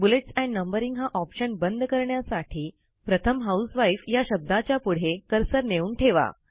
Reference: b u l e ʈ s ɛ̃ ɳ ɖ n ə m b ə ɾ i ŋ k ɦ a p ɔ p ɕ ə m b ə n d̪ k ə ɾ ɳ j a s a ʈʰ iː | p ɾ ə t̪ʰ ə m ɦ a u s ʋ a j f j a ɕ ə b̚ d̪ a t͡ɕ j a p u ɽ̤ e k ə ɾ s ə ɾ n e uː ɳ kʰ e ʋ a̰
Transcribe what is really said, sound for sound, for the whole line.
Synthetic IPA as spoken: b u l e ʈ s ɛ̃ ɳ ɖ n ə m b ə ɾ i ŋ ɡ ɦ a ʔ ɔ p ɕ ə n b ə n d̪ k ə ɾ ɳ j a s a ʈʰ iː | p ɾ ə t̪ʰ ə m ɦ a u s ʋ a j f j a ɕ ə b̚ d̪ a t͡ɕ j a p u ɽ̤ e k ə ɾ s ə ɾ n e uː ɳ ʈʰ e ʋ a̰